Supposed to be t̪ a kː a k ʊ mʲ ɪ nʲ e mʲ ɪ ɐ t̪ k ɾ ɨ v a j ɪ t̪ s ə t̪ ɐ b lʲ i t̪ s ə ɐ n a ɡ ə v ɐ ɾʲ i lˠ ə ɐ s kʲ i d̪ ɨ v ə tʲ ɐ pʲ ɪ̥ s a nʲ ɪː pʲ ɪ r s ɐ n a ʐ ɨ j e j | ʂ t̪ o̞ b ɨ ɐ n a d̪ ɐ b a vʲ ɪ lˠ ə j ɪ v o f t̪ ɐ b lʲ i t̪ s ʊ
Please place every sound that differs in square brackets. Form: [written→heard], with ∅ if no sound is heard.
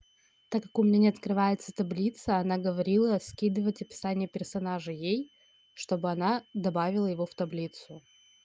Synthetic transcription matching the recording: t̪ a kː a k ʊ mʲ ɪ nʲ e [mʲ→nʲ] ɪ ɐ t̪ k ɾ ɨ v a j ɪ t̪ s ə t̪ ɐ b lʲ i t̪ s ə ɐ n a ɡ ə v ɐ ɾʲ i lˠ ə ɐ s kʲ i d̪ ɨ v ə tʲ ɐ pʲ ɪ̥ s a nʲ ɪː pʲ ɪ r s ɐ n a ʐ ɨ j e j | ʂ t̪ o̞ b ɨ ɐ n a d̪ ɐ b a vʲ ɪ lˠ ə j ɪ v o f t̪ ɐ b lʲ i t̪ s ʊ